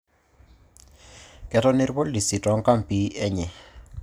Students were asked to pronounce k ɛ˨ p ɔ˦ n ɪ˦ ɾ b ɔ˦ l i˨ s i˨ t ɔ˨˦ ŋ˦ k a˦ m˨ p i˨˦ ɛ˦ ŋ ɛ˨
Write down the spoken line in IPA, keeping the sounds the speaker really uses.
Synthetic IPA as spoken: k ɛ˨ t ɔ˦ n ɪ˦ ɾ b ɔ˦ l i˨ s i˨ t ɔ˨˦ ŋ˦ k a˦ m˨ p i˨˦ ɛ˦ ɲ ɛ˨

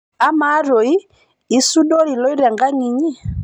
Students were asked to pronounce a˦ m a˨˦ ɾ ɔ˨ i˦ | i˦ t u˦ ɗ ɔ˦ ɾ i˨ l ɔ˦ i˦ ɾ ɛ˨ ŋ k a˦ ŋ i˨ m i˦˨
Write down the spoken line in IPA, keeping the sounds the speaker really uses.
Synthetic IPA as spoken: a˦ m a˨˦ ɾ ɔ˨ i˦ | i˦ s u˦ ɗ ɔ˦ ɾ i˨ l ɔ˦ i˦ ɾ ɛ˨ ŋ ɡ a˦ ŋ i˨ ɲ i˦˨

